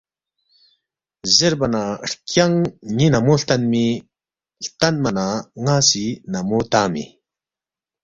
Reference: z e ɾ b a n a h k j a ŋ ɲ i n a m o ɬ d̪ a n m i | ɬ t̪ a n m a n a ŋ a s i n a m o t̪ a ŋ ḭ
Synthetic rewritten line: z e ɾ b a n a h k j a ŋ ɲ i n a m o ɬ t̪ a n m i | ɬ t̪ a n m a n a ŋ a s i n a m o t̪ a m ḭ